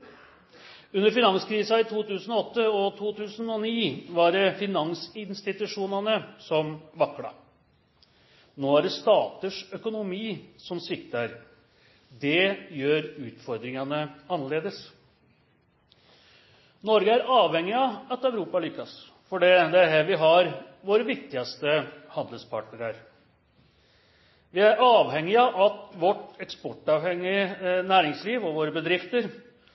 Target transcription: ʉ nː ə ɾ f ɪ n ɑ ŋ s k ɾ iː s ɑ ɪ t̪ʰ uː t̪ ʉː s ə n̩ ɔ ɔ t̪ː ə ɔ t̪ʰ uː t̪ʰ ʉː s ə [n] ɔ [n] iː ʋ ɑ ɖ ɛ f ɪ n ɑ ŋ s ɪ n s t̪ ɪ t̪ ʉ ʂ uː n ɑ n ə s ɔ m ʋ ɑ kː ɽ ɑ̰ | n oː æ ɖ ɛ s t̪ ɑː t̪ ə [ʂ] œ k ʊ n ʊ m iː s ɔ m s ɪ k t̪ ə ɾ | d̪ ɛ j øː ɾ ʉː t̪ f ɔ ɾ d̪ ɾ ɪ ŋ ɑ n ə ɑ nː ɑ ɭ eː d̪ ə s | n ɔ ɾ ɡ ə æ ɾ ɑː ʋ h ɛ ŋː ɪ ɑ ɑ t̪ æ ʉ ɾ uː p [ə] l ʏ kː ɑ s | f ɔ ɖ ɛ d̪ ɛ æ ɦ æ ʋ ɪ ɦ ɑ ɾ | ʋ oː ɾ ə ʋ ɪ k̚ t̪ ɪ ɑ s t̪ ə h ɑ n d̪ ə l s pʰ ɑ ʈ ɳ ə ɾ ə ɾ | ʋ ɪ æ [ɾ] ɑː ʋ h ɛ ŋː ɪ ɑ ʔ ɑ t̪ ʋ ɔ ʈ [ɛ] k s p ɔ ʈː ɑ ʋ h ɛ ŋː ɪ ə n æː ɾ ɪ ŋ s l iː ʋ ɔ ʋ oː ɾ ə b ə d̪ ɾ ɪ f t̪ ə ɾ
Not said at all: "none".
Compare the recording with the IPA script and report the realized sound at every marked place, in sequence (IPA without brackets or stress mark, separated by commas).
n, n, ʂ, ɑ, ɾ, ɛ